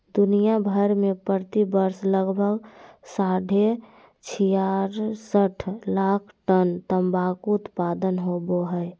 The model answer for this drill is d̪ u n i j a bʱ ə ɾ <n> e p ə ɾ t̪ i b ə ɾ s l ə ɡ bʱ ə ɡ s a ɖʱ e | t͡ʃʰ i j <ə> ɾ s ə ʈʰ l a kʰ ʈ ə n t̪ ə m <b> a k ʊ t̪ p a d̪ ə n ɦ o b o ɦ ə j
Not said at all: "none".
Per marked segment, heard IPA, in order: m, a, b

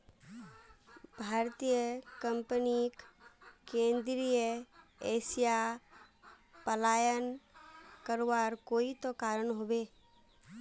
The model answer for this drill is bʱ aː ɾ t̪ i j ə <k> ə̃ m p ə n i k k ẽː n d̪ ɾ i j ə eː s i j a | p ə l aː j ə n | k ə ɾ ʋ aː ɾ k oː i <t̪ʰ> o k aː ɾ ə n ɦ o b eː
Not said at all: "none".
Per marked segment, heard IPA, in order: k, t̪

